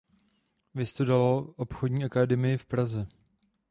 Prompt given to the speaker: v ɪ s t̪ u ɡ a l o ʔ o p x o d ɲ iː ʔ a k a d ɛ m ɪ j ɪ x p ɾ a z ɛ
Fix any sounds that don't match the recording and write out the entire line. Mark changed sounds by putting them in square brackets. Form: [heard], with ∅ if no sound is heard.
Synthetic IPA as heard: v ɪ s t̪ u [d] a l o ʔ o p x o d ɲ iː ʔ a k a d ɛ m ɪ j ɪ [f] p ɾ a z ɛ